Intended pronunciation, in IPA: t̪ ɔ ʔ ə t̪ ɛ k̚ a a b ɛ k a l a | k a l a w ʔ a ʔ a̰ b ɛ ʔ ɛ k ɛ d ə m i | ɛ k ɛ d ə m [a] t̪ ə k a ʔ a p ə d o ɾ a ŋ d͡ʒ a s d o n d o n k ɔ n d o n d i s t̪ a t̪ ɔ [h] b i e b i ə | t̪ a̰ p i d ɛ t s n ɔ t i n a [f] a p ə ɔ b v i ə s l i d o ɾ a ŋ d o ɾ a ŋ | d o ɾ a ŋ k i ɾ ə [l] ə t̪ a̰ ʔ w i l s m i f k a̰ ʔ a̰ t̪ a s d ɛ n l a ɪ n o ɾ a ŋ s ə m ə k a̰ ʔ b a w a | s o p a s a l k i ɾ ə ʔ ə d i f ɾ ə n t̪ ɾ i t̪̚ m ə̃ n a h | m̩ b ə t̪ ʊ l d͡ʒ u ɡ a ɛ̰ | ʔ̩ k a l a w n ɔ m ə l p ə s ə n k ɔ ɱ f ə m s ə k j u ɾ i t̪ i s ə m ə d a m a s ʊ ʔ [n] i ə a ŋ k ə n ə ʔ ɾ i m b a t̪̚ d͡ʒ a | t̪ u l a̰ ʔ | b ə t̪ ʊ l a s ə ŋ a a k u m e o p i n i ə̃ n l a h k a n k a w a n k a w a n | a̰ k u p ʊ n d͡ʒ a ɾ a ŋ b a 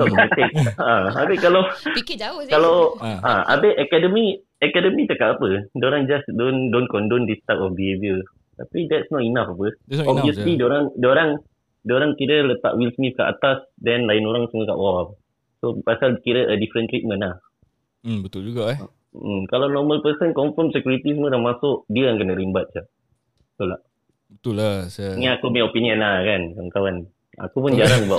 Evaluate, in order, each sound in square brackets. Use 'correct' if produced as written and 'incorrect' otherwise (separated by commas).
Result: incorrect, incorrect, correct, correct, incorrect